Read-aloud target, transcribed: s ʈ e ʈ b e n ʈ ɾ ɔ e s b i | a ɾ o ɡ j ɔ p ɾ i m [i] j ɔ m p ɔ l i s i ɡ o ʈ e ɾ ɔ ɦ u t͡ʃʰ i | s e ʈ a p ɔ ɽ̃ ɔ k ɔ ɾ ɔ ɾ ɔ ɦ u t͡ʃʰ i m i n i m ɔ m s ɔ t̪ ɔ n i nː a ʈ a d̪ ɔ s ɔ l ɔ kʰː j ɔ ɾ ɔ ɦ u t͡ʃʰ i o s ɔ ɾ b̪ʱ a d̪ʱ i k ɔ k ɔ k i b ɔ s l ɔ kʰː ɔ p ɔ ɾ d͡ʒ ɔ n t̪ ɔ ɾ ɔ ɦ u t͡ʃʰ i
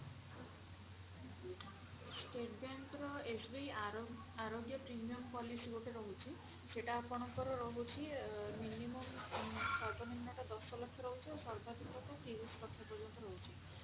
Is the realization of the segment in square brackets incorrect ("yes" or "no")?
no